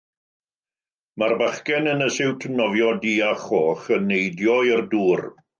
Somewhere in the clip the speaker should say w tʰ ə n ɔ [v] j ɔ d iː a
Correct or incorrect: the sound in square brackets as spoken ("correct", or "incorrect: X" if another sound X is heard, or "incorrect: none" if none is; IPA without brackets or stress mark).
correct